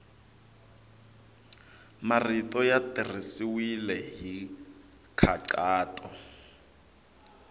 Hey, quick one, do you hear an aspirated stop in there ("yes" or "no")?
yes